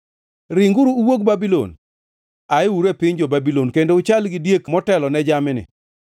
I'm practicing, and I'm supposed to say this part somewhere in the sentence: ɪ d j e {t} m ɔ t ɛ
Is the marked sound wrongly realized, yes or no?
yes